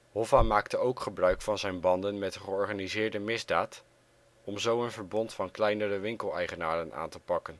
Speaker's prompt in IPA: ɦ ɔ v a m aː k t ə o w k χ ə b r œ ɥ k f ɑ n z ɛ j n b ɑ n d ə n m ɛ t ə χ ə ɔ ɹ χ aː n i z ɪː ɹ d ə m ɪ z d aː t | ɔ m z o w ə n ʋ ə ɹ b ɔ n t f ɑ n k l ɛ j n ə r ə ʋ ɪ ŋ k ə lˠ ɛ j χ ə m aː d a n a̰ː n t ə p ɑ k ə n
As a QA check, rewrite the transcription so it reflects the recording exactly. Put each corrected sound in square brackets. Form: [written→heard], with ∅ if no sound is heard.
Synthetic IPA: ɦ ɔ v a m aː k t ə o w k χ ə b r œ ɥ k f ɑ n z ɛ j n b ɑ n d ə n m ɛ t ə χ ə ɔ ɹ χ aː n i z ɪː ɹ d ə m ɪ z d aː t | ɔ m z o w ə n [ʋ→v] ə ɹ b ɔ n t f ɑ n k l ɛ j n ə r ə ʋ ɪ ŋ k ə lˠ ɛ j χ ə [m→n] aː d [a→ə] n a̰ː n t ə p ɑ k ə n